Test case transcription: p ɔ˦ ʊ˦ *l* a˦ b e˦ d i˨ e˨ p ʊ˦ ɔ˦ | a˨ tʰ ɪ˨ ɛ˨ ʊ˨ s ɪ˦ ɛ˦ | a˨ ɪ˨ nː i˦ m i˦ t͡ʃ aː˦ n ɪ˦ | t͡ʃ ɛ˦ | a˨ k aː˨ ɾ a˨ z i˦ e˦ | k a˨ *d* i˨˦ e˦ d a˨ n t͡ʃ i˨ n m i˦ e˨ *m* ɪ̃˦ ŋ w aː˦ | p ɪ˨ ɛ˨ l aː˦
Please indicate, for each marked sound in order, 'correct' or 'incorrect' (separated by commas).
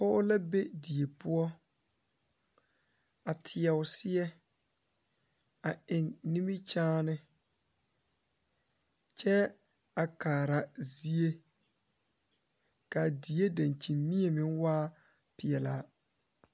correct, correct, correct